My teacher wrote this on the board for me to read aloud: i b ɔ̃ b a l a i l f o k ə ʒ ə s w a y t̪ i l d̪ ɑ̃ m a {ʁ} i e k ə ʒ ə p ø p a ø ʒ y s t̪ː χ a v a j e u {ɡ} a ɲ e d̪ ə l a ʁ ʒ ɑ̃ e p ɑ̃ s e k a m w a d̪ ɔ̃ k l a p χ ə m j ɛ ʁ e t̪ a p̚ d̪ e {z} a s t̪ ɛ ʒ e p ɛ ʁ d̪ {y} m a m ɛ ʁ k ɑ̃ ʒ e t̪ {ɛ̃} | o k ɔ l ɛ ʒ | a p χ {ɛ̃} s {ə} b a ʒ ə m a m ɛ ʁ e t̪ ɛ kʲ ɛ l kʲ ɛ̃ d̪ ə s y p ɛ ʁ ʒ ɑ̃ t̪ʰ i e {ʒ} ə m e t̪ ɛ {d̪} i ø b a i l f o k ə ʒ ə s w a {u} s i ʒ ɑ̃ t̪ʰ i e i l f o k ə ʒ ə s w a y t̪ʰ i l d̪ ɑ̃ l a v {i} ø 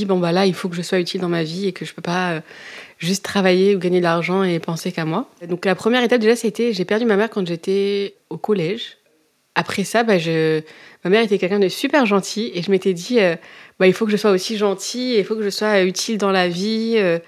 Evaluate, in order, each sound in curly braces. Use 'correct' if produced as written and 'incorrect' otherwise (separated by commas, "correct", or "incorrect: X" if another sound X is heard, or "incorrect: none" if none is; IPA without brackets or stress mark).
incorrect: v, correct, incorrect: ʒ, correct, incorrect: ɛ, incorrect: ɛ, incorrect: a, correct, correct, incorrect: o, correct